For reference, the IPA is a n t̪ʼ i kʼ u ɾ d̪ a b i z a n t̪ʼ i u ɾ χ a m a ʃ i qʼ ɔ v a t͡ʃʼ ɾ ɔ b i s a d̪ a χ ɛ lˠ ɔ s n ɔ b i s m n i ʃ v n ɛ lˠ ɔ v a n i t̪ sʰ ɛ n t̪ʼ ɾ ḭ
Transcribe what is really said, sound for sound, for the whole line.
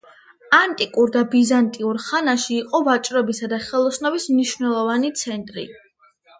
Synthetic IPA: a n t̪ʼ i kʼ u ɾ d̪ a b i z a n t̪ʼ i u ɾ χ a n a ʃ iː qʼ ɔ v a t͡ʃʼ ɾ ɔ b i s a d̪ a χ ɛ lˠ ɔ s n ɔ b i s m n i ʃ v n ɛ lˠ ɔ v a n i t̪ sʰ ɛ n t̪ʼ ɾ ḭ